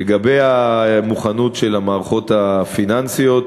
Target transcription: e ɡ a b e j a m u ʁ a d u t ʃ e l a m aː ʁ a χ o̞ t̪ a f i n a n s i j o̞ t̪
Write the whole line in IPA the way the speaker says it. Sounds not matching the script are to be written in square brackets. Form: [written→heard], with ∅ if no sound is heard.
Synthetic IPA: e ɡ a b e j a m u [ʁ→χ] a [d→n] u t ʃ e l a m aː ʁ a χ o̞ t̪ a f i n a n s i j o̞ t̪